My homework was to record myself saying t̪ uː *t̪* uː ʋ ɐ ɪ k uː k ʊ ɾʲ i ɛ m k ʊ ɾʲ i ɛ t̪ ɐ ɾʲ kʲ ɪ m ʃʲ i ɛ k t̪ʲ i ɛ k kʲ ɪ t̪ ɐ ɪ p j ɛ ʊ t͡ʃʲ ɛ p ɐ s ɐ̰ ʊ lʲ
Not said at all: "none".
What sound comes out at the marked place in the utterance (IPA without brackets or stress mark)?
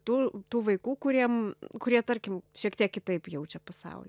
t̪